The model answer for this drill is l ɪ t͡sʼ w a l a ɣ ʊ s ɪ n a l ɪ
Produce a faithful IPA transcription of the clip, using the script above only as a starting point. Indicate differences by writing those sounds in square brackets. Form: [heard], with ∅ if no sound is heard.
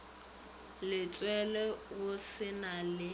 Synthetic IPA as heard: l ɪ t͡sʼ w [ɛ] l [ɛ] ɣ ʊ s ɪ n a l ɪ